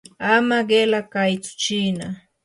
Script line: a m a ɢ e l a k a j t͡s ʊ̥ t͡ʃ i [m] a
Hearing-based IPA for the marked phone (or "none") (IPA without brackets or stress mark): n